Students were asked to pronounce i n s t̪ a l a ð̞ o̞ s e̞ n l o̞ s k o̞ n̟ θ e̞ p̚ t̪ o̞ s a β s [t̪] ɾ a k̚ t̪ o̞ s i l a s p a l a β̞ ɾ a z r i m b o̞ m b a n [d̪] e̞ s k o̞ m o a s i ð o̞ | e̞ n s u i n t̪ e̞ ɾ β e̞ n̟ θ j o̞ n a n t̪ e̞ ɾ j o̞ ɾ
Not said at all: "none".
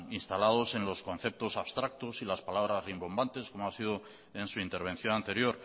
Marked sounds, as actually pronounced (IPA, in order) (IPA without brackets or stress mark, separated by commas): t̪, t̪